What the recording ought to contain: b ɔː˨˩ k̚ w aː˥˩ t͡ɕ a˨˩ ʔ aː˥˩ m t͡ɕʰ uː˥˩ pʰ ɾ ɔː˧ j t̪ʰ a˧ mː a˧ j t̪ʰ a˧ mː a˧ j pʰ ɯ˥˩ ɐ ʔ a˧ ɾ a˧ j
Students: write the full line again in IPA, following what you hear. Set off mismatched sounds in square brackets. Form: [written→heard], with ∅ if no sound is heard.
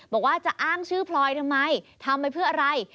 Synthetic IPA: b ɔː˨˩ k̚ w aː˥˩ t͡ɕ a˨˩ ʔ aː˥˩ [m→ŋ] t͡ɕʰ [uː˥˩→ɯː˥˩] pʰ [ɾ→l] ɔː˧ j t̪ʰ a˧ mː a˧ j t̪ʰ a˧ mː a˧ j pʰ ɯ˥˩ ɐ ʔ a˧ ɾ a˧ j

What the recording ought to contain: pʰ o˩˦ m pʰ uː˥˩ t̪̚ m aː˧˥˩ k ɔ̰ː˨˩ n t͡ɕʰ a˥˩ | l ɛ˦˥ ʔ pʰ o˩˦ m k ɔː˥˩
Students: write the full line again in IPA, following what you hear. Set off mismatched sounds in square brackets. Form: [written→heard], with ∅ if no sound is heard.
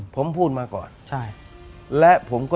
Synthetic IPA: pʰ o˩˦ m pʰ uː˥˩ t̪̚ m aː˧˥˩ k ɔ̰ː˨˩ n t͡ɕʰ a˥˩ | l ɛ˦˥ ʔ pʰ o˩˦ m k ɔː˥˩

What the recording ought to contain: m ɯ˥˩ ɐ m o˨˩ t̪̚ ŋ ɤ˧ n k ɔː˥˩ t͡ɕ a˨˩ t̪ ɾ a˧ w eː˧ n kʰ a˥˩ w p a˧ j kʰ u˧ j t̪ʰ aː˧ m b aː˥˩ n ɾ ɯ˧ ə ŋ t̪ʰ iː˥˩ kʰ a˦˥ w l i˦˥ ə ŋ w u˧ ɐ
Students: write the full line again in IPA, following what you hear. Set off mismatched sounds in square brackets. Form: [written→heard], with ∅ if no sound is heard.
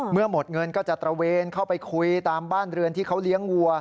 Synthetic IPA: m ɯ˥˩ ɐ m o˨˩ t̪̚ ŋ ɤ˧ n k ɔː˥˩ t͡ɕ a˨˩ t̪ ɾ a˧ w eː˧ n kʰ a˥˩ w p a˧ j kʰ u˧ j [t̪ʰ→t̪] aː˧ m b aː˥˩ n ɾ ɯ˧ ə [ŋ→n] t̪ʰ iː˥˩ kʰ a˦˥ w l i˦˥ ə ŋ w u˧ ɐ

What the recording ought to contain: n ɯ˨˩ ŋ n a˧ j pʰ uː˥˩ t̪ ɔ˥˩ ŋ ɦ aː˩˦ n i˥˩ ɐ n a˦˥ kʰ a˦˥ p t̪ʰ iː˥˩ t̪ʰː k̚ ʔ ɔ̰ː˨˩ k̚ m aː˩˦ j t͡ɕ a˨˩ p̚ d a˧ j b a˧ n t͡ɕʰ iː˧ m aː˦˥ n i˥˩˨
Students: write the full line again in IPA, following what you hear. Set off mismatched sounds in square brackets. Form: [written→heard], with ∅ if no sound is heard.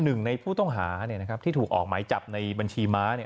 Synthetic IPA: n ɯ˨˩ ŋ n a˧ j pʰ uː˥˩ t̪ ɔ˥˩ ŋ ɦ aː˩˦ n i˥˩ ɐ n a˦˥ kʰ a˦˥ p t̪ʰ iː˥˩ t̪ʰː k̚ ʔ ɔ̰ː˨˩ k̚ m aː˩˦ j t͡ɕ a˨˩ p̚ [d→n] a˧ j b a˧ n t͡ɕʰ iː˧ m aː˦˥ n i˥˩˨

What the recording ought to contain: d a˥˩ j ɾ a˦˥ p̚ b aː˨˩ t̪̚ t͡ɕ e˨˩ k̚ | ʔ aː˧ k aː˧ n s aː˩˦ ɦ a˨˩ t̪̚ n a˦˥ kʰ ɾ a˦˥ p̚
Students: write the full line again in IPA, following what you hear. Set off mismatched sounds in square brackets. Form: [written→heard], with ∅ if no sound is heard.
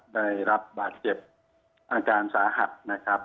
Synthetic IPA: d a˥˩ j ɾ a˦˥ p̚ b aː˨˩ t̪̚ t͡ɕ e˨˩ [k̚→p̚] | ʔ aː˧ k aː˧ n s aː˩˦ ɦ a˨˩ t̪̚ n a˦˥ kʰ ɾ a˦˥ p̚

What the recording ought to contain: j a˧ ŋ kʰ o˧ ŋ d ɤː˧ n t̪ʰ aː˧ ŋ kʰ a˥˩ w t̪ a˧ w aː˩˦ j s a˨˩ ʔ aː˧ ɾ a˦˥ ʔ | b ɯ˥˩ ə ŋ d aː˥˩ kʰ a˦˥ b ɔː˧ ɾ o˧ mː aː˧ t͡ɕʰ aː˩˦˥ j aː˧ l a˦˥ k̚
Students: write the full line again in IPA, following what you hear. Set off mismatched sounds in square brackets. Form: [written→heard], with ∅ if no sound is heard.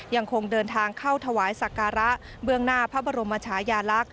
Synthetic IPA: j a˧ ŋ kʰ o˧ ŋ d ɤː˧ n t̪ʰ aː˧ ŋ kʰ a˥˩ w [t̪→t̪ʰ] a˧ w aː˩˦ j s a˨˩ [ʔ→k] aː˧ ɾ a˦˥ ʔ | b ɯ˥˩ ə ŋ [d→n] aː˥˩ [kʰ→pʰ] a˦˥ b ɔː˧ ɾ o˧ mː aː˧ t͡ɕʰ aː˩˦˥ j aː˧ l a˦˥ k̚

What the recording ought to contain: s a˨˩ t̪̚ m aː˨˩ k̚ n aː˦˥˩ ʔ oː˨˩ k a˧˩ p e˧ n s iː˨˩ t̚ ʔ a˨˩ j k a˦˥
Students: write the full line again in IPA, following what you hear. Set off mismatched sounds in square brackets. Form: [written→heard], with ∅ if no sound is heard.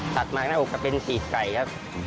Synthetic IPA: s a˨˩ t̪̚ m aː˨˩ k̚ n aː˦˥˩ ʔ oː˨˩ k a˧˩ p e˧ n s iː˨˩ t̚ [ʔ→k] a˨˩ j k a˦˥

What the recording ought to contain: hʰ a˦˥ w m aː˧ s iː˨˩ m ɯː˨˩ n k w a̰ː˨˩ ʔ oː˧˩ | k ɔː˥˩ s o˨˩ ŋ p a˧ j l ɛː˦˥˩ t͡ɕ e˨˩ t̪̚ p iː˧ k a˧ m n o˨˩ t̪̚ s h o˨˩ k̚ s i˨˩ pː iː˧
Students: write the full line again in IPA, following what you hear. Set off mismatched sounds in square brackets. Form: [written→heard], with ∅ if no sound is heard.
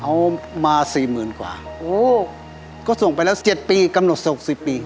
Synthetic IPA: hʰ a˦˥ w m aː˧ s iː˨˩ m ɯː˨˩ n k w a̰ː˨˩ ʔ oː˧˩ | k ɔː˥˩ s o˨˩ ŋ p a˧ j l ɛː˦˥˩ t͡ɕ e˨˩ t̪̚ p iː˧ k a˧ m n o˨˩ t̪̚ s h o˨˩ k̚ s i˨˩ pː iː˧

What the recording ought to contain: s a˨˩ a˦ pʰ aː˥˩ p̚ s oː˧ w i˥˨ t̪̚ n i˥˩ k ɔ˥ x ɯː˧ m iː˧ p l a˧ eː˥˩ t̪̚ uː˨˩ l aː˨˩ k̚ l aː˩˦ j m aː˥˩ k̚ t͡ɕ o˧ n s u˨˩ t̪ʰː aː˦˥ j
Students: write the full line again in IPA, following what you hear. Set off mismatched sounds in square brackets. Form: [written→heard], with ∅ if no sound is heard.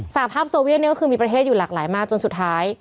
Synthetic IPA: s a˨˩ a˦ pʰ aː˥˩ p̚ s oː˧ w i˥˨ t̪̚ n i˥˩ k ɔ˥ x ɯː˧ m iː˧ p [l→ɾ] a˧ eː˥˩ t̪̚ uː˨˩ l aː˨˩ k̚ l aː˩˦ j m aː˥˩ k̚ t͡ɕ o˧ n s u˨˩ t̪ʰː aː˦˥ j

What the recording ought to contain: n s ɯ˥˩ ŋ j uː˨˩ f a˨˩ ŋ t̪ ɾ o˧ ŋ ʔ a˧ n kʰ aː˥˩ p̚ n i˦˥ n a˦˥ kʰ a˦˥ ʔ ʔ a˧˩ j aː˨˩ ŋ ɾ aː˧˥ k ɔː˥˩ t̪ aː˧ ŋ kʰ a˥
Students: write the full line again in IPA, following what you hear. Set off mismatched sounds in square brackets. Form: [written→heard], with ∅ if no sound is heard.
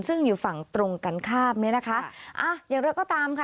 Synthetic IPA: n s ɯ˥˩ ŋ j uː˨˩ f a˨˩ ŋ t̪ ɾ o˧ ŋ [ʔ→k] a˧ n kʰ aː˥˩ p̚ n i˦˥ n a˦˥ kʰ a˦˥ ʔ ʔ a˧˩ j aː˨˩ ŋ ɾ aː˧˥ k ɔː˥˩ t̪ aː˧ [ŋ→m] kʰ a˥

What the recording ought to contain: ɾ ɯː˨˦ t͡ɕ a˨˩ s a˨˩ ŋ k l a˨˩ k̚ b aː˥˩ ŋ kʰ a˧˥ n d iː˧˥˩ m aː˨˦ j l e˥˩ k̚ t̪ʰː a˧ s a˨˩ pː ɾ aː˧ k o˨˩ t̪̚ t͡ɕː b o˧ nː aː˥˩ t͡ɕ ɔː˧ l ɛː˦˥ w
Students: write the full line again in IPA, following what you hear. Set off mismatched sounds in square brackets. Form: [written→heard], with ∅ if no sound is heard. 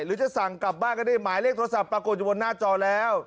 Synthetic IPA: ɾ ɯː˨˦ t͡ɕ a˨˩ s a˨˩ ŋ k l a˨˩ [k̚→p̚] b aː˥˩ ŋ [kʰ→k] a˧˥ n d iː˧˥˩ m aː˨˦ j l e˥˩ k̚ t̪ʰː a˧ s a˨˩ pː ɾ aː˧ k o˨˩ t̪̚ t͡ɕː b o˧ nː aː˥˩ t͡ɕ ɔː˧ l ɛː˦˥ w

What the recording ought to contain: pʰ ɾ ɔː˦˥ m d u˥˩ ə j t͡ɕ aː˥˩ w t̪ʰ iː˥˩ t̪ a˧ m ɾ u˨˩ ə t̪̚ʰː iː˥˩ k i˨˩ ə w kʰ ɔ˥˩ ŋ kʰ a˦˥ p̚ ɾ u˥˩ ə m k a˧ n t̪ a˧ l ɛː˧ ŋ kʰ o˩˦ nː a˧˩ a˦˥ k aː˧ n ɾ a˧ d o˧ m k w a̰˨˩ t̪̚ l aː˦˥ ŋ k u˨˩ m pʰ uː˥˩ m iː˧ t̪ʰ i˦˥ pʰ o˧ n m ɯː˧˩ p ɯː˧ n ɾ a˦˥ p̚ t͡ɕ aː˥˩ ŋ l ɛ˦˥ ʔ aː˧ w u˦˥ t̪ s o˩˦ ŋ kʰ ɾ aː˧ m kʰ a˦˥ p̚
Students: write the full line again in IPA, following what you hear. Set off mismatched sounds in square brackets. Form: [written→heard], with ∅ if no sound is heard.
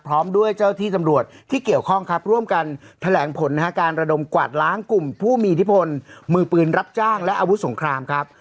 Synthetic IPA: pʰ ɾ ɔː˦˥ m d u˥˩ ə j t͡ɕ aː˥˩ w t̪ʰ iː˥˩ t̪ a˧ m ɾ u˨˩ ə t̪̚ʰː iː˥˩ k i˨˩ ə w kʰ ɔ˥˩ ŋ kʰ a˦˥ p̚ ɾ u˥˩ ə m k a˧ n [t̪→t̪ʰ] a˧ l [ɛː˧→ɛː˩˦] ŋ [kʰ→pʰ] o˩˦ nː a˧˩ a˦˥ k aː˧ n ɾ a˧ d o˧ m k w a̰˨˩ t̪̚ l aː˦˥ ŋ k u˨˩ m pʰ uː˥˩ m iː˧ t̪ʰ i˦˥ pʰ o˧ n m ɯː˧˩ p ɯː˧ n ɾ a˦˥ p̚ t͡ɕ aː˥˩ ŋ l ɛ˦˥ ʔ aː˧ w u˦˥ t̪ s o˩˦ ŋ kʰ ɾ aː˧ m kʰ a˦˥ p̚

